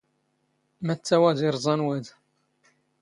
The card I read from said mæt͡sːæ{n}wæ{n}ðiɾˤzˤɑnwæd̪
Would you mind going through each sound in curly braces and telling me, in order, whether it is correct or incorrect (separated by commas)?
incorrect, incorrect